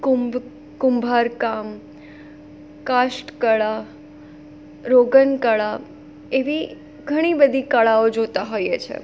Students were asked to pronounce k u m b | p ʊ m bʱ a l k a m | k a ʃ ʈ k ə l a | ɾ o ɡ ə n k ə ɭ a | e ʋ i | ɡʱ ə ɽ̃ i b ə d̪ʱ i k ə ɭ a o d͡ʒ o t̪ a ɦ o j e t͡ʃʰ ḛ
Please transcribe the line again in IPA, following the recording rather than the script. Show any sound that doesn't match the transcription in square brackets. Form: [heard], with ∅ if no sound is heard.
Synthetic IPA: k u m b | [k] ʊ m bʱ a [ɾ] k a m | k a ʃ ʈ k ə [ɭ] a | ɾ o ɡ ə n k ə ɭ a | e ʋ i | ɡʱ ə ɽ̃ i b ə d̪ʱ i k ə ɭ a o d͡ʒ o t̪ a ɦ o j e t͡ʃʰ ḛ